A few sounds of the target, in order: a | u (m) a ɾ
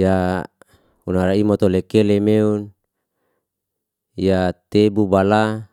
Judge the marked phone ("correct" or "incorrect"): incorrect